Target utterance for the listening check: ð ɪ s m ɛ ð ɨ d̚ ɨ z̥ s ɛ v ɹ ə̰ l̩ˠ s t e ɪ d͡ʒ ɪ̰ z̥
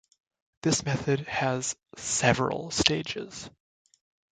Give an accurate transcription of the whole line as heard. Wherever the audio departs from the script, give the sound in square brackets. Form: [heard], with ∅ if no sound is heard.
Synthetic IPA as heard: ð ɪ s m ɛ [θ] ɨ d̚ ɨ z̥ s ɛ v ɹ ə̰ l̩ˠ s t e ɪ d͡ʒ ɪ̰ z̥